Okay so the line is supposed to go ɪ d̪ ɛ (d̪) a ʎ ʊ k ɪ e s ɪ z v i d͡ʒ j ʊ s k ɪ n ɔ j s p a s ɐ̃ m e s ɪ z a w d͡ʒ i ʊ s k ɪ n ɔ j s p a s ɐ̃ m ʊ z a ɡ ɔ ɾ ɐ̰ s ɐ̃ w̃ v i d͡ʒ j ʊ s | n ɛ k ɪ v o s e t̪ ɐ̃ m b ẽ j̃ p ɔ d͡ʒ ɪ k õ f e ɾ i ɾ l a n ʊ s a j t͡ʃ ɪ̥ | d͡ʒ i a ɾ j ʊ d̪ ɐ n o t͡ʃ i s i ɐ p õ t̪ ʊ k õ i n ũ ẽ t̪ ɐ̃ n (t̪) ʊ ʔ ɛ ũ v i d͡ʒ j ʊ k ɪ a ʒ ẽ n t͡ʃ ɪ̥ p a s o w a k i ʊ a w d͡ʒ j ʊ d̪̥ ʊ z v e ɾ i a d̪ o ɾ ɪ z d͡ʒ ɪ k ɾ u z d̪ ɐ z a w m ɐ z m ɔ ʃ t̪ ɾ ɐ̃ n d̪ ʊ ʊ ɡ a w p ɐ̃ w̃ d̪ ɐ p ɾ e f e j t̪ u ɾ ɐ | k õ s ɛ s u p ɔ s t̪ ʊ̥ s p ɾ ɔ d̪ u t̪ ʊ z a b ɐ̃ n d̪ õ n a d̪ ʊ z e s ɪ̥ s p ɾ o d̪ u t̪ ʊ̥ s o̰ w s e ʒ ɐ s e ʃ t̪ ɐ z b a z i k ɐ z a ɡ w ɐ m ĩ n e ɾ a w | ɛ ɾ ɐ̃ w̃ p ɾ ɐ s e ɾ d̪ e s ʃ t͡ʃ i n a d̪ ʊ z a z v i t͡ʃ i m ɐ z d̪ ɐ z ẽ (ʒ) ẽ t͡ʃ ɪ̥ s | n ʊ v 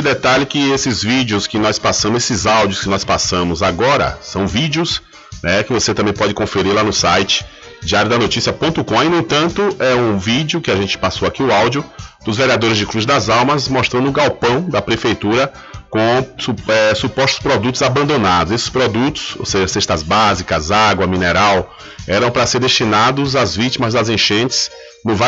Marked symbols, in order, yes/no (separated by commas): no, yes, no